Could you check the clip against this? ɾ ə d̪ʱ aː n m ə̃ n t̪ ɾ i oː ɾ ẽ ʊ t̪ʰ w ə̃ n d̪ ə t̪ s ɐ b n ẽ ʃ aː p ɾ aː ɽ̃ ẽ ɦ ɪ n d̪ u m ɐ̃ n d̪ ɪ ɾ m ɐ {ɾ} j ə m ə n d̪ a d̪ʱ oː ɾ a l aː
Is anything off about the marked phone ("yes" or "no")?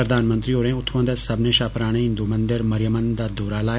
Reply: no